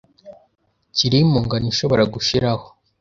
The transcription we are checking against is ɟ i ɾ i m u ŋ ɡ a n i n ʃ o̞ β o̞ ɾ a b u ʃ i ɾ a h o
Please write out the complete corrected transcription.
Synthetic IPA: c i ɾ i m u ŋ ɡ a n i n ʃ o̞ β o̞ ɾ a ɡ u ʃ i ɾ a h o